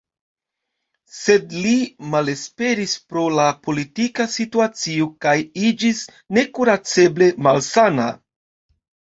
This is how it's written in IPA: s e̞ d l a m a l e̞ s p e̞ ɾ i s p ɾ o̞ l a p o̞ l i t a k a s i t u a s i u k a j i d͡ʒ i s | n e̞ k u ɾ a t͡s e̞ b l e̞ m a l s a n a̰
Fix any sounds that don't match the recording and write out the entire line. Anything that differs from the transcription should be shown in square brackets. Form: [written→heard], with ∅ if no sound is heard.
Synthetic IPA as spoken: s e̞ d l [a→i] m a l e̞ s p e̞ ɾ i s p ɾ o̞ l a p o̞ l i t [a→i] k a s i t u a [s→t͡s] i [u→o] k a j i d͡ʒ i s | n e̞ k u ɾ a t͡s e̞ b l e̞ m a l s a n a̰